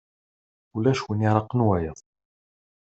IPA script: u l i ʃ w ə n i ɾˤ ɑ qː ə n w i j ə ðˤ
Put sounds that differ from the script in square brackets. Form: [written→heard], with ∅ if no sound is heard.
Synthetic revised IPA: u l [i→æ] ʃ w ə n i ɾˤ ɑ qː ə n w [i→æ] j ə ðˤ

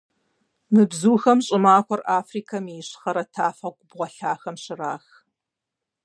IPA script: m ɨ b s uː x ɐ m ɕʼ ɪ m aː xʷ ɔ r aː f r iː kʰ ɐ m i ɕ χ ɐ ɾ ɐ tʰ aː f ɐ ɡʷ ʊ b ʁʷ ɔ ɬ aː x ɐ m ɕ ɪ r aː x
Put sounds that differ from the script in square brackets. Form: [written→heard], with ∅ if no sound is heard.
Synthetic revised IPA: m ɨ b [s→z] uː x ɐ m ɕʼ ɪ m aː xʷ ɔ r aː f r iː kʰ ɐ m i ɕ χ ɐ ɾ ɐ tʰ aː f ɐ ɡʷ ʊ b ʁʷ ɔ ɬ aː x ɐ m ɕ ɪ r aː x

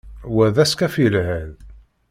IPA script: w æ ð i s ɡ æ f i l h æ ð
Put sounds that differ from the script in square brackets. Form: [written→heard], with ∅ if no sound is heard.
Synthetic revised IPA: w æ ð [i→æ] s [ɡ→k] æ f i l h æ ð

